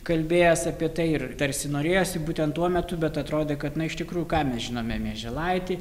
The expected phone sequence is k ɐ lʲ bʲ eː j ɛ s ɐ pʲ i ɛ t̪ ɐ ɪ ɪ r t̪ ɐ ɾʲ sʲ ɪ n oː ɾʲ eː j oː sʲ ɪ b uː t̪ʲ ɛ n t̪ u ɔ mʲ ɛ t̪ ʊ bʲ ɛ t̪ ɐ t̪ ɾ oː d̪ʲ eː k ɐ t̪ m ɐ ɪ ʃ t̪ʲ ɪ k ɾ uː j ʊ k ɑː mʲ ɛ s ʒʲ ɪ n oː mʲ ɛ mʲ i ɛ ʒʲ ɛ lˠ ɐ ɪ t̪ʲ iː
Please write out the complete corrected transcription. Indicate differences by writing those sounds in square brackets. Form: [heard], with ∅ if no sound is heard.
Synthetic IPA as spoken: k ɐ lʲ bʲ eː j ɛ s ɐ pʲ i ɛ t̪ ɐ ɪ ɪ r t̪ ɐ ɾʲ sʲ ɪ n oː ɾʲ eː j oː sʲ ɪ b uː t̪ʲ ɛ n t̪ u ɔ mʲ ɛ t̪ ʊ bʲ ɛ t̪ ɐ t̪ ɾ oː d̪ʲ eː k ɐ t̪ [n] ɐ ɪ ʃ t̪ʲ ɪ k ɾ uː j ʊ k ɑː mʲ ɛ s ʒʲ ɪ n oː mʲ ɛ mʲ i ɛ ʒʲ ɛ lˠ ɐ ɪ t̪ʲ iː